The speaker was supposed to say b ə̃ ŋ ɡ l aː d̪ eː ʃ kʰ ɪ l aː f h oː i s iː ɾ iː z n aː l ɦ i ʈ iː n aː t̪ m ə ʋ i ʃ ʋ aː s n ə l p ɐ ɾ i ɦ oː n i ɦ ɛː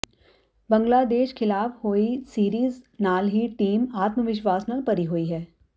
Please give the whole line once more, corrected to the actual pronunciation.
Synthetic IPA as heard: b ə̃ ŋ ɡ l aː d̪ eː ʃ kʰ ɪ l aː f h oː i s iː ɾ iː z n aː l ɦ i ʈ iː m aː t̪ m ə ʋ ɪ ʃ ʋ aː s n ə l p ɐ ɾ i ɦ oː i ɦ ɛː